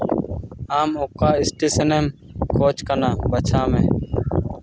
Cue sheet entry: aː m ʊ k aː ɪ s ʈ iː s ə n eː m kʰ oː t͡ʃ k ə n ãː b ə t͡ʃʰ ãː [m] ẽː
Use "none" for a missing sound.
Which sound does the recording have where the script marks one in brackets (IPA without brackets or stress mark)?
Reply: m